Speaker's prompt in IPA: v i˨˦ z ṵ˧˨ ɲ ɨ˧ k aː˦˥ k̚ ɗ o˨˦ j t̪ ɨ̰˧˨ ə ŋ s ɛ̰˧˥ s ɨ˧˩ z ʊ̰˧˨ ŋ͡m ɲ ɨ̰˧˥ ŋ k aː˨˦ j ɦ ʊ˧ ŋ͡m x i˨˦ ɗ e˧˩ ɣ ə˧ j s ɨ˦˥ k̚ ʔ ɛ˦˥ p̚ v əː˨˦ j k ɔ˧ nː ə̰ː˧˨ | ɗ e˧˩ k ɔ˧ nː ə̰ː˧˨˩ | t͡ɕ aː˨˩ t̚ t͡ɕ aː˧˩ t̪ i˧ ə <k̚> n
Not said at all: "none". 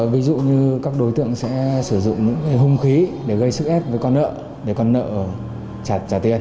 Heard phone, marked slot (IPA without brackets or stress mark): none